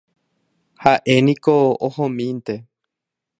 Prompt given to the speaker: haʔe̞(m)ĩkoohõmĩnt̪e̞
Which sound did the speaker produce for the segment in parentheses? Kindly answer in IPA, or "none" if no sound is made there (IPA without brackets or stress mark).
n